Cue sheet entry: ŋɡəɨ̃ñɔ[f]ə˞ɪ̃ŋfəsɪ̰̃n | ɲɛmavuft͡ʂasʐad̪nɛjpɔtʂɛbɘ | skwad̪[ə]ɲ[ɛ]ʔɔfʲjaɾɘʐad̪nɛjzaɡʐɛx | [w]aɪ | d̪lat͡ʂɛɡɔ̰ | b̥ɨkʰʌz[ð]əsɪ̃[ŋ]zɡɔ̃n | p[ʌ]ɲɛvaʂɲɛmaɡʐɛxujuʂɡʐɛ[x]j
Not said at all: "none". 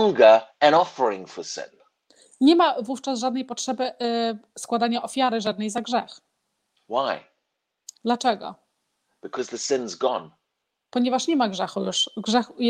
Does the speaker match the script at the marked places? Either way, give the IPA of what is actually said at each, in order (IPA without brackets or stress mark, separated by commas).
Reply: f, a, a, w, ð, n, ɔ, x